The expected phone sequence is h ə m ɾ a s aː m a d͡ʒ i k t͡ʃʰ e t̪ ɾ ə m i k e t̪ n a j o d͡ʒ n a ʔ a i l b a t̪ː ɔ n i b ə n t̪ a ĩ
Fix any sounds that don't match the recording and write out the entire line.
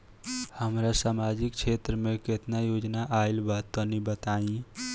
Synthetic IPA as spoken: h ə m ɾ a s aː m a d͡ʒ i k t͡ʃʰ e t̪ ɾ ə m e k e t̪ n a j o d͡ʒ n a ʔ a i l b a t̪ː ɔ n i b ə t̪ a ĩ